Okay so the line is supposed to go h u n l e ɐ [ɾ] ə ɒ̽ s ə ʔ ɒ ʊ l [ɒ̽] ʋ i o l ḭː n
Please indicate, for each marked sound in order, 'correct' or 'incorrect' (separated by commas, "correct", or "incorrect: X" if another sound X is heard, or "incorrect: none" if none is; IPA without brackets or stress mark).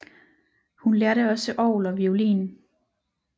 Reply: correct, correct